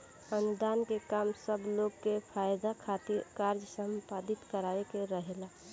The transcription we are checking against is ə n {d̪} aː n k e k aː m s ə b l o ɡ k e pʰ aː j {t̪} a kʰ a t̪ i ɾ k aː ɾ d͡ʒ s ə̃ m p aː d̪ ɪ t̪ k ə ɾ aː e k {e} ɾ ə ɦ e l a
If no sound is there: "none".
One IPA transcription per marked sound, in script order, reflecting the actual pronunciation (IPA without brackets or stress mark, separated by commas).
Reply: d̪, d̪, e